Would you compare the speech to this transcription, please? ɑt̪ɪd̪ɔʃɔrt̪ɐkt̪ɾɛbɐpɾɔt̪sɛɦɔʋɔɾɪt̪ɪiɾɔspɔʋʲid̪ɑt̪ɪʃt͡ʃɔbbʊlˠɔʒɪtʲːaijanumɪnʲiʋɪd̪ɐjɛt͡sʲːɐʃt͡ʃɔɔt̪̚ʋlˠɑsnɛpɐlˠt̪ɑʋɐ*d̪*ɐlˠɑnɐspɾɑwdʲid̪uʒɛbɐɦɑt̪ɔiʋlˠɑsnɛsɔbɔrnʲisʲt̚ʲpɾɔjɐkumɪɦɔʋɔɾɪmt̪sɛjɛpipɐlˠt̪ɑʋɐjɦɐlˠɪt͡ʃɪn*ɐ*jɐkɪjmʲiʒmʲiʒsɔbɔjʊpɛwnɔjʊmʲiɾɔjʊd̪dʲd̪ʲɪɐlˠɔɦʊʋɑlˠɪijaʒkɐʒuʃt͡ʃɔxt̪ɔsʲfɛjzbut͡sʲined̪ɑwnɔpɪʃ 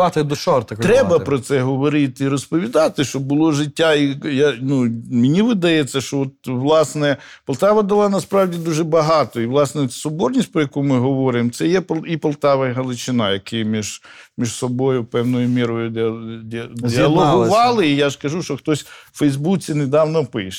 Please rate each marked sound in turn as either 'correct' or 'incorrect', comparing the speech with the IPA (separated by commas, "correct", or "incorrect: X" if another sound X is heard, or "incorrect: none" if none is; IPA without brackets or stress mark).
correct, incorrect: ɑ